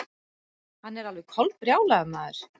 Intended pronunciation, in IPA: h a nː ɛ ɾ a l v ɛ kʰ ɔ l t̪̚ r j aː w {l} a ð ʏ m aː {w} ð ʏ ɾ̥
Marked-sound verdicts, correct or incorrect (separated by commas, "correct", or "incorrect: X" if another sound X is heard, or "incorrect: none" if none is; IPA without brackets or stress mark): correct, incorrect: none